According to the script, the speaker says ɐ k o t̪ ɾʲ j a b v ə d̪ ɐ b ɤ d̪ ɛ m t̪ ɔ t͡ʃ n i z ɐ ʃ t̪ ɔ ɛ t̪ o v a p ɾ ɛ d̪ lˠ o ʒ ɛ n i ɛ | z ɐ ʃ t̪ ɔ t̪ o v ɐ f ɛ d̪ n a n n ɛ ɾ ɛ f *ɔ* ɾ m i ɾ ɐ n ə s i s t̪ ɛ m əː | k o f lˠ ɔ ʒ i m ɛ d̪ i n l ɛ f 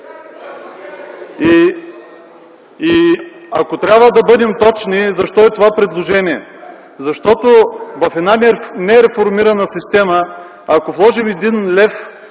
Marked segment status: incorrect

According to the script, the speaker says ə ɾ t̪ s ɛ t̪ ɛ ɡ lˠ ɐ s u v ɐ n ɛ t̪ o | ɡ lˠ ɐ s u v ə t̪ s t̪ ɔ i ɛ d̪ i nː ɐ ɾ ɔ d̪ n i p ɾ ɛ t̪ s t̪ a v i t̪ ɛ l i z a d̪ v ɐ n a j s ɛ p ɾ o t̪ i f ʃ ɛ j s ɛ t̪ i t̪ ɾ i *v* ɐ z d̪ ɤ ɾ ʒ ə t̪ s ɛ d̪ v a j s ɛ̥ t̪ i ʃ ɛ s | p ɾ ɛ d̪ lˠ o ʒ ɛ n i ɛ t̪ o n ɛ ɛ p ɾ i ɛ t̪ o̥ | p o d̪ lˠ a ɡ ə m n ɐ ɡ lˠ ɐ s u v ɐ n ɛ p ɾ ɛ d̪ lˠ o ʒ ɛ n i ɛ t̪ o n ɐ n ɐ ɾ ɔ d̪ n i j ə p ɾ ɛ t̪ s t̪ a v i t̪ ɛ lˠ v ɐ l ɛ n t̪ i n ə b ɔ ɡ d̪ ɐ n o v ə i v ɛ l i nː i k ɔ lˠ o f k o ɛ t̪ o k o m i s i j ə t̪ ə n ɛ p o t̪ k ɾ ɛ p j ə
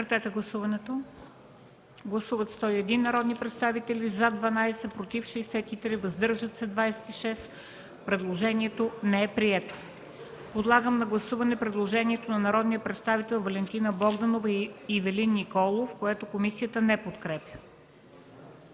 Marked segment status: correct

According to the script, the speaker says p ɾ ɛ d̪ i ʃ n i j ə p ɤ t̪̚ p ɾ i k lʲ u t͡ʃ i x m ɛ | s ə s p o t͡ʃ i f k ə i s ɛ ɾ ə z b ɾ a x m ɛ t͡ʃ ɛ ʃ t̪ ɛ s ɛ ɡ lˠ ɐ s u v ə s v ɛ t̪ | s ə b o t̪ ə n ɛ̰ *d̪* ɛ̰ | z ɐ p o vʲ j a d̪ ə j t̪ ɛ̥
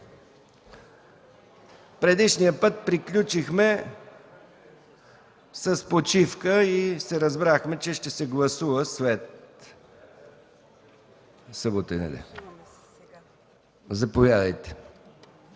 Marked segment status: correct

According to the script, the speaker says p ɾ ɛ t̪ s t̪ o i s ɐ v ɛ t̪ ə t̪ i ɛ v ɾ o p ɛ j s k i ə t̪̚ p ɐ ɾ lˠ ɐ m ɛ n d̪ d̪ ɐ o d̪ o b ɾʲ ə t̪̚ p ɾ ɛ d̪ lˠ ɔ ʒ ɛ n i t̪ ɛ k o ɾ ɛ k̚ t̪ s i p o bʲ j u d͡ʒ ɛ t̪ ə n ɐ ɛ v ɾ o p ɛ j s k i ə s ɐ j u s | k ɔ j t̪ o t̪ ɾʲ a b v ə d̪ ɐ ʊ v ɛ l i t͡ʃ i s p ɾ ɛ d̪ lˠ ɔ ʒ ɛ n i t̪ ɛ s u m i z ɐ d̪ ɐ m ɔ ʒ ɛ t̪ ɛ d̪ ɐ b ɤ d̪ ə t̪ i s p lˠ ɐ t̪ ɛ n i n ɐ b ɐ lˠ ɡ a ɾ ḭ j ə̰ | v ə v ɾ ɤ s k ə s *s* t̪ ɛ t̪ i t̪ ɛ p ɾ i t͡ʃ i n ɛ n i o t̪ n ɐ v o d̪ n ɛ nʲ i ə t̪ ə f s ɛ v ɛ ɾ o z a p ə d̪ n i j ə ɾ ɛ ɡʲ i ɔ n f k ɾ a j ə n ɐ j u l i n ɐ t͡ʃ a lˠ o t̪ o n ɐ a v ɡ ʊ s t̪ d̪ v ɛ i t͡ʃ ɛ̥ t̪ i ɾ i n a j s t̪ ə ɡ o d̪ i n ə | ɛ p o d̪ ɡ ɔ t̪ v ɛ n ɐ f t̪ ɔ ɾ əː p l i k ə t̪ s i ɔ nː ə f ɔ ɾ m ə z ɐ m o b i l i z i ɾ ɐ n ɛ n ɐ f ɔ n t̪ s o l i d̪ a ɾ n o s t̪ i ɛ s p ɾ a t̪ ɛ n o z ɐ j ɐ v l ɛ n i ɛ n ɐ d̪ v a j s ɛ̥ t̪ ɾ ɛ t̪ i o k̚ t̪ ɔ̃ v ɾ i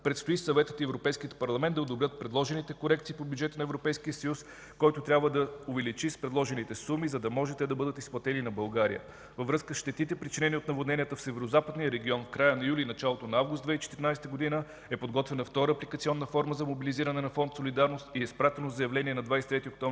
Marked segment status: incorrect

